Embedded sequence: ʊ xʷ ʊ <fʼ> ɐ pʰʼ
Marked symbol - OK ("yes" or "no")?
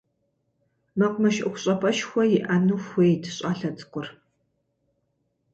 no